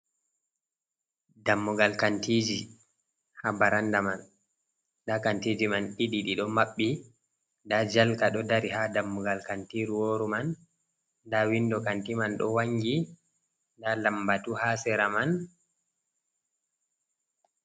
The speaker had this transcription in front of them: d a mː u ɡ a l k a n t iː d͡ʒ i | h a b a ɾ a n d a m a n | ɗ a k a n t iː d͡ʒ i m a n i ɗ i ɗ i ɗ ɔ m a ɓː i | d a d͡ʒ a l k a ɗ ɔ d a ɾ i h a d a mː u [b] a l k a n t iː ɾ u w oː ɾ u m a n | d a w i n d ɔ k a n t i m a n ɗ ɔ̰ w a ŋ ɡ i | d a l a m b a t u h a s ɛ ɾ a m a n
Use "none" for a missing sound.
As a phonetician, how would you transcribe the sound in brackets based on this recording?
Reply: ɡ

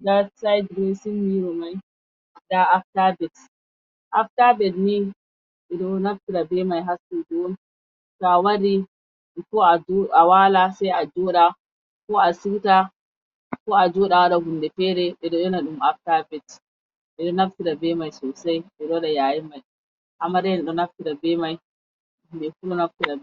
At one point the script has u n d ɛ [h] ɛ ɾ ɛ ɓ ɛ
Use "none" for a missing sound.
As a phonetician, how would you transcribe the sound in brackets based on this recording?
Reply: f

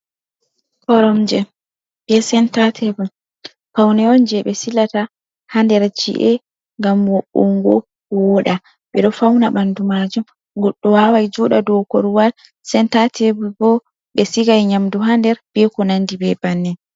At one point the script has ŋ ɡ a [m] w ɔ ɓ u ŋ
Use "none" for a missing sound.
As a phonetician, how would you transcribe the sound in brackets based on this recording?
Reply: m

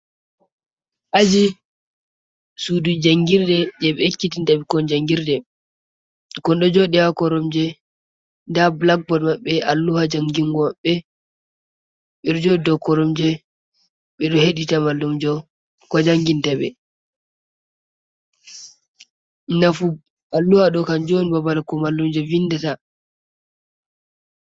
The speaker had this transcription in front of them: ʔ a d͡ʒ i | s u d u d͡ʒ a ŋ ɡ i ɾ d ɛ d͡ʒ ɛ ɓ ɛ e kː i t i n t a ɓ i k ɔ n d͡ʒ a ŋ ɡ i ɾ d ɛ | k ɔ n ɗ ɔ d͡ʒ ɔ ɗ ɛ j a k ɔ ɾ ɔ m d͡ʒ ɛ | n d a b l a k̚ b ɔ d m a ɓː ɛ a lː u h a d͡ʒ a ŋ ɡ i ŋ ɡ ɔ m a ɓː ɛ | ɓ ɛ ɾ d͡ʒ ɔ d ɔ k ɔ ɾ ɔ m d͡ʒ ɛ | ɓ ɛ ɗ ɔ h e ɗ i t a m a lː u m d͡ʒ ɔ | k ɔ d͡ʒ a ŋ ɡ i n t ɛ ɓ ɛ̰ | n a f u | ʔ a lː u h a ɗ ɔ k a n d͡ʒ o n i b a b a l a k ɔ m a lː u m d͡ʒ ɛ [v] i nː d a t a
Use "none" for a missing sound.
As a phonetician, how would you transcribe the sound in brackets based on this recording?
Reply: v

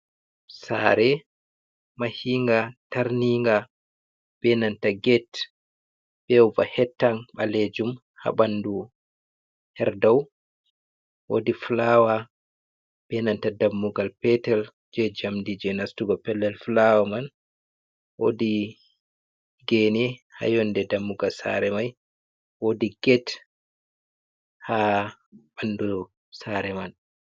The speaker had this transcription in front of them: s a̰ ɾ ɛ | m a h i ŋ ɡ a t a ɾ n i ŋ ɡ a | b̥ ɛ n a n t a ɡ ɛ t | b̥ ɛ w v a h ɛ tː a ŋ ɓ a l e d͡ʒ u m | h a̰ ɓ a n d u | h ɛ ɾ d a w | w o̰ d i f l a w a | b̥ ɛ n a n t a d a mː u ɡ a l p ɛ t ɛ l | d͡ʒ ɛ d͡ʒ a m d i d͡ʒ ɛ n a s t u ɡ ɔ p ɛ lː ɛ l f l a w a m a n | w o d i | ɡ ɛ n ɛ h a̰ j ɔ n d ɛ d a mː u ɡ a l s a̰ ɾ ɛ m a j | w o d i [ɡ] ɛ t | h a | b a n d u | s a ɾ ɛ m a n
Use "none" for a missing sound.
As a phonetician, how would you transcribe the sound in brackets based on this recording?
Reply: ɡ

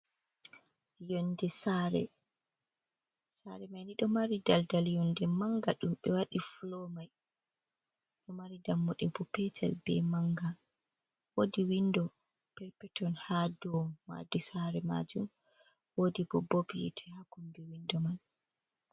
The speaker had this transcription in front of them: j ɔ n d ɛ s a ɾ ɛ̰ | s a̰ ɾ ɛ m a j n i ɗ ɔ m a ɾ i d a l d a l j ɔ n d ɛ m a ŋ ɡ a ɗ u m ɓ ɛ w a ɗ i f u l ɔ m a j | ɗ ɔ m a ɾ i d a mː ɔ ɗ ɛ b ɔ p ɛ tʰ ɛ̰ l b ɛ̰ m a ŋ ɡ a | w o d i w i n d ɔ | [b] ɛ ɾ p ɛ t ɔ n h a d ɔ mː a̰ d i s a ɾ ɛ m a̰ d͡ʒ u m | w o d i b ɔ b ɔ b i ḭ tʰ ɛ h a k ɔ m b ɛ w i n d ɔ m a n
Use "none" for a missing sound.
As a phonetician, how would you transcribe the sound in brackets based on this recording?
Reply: p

